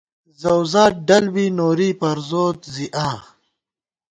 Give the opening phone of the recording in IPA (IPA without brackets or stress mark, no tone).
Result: z